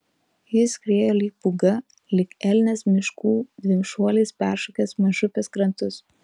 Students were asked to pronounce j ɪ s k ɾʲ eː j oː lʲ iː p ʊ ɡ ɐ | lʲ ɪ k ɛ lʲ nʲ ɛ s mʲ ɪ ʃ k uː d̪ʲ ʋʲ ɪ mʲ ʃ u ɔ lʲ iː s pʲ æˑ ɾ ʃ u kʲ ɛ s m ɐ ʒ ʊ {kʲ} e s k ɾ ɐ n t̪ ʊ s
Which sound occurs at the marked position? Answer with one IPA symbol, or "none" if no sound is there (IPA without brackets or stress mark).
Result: pʲ